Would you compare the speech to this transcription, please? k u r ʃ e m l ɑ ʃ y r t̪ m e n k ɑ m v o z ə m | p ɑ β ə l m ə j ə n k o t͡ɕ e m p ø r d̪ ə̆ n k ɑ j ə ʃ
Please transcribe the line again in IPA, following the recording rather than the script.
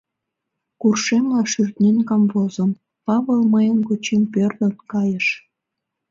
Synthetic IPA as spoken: k u r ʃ e m l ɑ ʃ y r t̪ n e n k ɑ m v o z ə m | p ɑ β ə l m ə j ə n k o t͡ɕ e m p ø r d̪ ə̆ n k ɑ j ə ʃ

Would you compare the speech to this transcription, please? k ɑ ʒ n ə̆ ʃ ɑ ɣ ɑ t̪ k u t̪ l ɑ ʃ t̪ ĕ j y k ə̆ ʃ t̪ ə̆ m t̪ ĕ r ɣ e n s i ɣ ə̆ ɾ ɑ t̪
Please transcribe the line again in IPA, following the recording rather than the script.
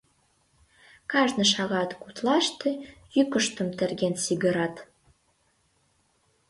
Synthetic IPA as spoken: k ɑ ʒ n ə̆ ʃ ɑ ɣ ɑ t̪ k u t̪ l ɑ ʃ t̪ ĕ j y k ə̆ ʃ t̪ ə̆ m t̪ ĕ r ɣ e n s i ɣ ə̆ ɾ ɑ t̪

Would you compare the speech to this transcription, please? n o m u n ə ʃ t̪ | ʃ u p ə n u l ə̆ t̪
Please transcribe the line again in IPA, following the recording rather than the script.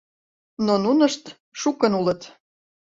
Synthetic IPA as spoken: n o n u n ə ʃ t̪ | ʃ u k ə n u l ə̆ t̪

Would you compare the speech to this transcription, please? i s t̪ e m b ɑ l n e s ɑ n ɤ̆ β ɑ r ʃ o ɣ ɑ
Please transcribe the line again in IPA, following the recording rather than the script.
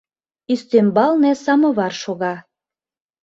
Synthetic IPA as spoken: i s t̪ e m b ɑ l n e s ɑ m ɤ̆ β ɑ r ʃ o ɣ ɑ

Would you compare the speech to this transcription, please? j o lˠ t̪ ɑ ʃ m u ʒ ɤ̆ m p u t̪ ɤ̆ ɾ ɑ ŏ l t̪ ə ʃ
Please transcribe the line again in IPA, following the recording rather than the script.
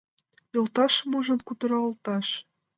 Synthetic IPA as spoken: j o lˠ t̪ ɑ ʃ m u ʒ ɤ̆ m k u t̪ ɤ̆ ɾ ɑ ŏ l t̪ ɑ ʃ

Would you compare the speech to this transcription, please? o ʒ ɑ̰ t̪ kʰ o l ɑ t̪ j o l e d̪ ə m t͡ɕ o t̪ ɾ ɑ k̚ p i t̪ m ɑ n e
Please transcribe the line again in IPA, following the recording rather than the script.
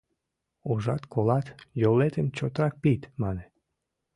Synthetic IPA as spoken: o ʒ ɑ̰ t̪ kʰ o l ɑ t̪ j o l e t̪ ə m t͡ɕ o t̪ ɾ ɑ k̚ p i t̪ m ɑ n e

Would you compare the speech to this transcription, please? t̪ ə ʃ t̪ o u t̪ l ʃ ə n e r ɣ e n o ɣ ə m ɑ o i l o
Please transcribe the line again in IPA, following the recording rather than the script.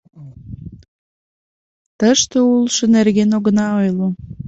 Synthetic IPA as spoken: t̪ ə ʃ t̪ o u l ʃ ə n e r ɣ e n o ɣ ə n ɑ o j l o

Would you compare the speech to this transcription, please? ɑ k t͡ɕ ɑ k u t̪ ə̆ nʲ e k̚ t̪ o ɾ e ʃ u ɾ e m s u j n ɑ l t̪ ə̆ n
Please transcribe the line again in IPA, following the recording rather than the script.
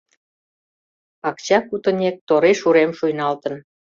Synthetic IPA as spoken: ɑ k t͡ɕ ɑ k u t̪ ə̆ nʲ e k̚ t̪ o ɾ e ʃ u ɾ e m ʃ u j n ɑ l t̪ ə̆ n

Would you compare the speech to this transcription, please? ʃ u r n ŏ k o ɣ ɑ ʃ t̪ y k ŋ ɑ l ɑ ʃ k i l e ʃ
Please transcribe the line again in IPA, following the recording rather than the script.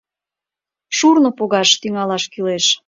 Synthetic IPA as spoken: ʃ u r n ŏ p o ɣ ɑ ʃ t̪ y ŋ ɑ l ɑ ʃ k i l e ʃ

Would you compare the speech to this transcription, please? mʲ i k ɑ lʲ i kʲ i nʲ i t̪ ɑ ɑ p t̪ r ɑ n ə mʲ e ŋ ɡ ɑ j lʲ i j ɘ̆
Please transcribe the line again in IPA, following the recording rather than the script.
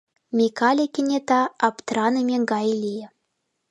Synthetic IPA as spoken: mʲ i k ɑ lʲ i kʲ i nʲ e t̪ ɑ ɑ p t̪ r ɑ n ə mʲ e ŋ ɡ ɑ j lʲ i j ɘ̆

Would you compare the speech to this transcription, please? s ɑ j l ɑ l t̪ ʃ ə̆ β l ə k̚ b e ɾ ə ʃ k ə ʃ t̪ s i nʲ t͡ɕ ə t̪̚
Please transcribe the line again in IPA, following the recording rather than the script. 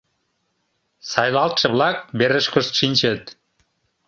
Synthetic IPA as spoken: s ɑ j l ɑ l t̪ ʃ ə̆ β l ɑ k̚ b e ɾ ə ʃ k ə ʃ t̪ ʃ i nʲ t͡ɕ ə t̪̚

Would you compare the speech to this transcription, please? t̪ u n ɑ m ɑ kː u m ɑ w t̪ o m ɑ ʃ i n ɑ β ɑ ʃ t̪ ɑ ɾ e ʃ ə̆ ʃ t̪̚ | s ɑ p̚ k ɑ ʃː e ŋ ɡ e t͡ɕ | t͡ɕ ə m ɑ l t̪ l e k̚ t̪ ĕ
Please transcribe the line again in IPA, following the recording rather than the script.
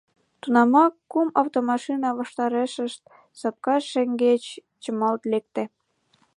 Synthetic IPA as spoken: t̪ u n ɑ m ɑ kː u m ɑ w t̪ o m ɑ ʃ i n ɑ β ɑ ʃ t̪ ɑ ɾ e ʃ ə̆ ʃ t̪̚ | s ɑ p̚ k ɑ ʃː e ŋ ɡ e t͡ɕ | t͡ɕ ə m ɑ l t̪ l e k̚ t̪ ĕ

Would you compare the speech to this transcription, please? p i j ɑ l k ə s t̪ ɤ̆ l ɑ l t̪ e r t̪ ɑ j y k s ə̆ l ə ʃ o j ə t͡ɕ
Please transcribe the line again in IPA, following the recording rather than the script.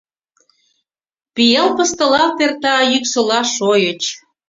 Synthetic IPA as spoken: p i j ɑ l p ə s t̪ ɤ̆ l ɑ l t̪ e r t̪ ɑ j y k s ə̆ l ɑ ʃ o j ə t͡ɕ

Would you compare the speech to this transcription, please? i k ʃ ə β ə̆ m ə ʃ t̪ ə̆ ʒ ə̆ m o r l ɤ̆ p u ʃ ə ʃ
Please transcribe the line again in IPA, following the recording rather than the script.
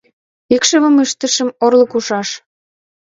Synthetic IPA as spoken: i k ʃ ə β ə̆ m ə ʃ t̪ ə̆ ʃ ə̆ m o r l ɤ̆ k u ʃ ɑ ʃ

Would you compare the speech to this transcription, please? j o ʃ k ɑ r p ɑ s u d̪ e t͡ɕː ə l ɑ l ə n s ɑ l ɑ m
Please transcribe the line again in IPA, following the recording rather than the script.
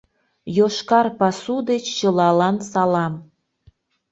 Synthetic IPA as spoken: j o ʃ k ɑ r p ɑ s u d̪ e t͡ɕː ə l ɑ l ɑ n s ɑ l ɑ m

